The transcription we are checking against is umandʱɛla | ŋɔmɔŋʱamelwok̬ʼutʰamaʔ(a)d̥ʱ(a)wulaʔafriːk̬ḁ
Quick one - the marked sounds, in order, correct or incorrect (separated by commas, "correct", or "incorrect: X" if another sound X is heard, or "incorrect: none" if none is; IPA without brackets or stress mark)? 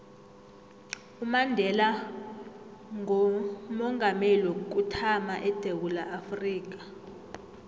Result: incorrect: ɛ, incorrect: e